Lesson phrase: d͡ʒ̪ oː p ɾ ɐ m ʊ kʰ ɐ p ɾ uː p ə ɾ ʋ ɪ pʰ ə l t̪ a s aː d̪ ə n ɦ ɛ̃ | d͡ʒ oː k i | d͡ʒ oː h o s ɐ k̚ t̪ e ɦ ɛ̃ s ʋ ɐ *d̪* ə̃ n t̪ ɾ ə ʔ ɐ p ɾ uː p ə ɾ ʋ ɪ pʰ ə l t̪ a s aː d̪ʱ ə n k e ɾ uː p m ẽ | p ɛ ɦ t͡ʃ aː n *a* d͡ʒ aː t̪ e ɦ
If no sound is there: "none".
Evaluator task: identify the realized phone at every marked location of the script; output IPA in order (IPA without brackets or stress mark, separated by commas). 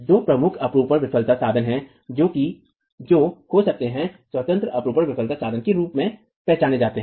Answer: t̪, e